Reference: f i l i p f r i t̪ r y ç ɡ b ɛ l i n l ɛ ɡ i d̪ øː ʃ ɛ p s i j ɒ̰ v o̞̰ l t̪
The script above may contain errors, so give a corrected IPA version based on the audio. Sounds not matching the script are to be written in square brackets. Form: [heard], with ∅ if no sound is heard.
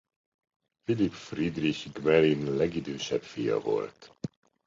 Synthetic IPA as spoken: f i l i p f r i [d̪] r [i] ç ɡ [m] ɛ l i n l ɛ ɡ i d̪ øː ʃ ɛ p [f] i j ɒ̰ v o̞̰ l t̪